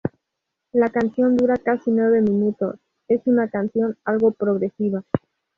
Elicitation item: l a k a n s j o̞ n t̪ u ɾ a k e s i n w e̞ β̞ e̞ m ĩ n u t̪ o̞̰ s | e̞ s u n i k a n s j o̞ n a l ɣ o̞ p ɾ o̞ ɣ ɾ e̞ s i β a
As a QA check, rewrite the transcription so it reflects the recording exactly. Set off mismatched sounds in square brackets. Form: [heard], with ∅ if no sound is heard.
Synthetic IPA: l a k a n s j o̞ n [d̪] u ɾ a k [a] s i n w e̞ β̞ e̞ m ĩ n u t̪ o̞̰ s | e̞ s u n [a] k a n s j o̞ n a l ɣ o̞ p ɾ o̞ ɣ ɾ e̞ s i β a